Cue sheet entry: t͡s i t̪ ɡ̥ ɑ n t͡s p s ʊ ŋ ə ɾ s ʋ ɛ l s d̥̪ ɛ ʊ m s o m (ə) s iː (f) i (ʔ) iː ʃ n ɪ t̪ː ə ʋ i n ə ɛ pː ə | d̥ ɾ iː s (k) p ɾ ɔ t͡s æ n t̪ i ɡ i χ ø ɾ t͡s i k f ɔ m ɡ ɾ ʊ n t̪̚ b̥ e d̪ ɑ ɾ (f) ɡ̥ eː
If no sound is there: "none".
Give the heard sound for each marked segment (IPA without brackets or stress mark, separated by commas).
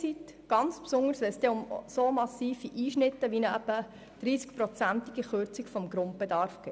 ɑ, f, ʔ, k, f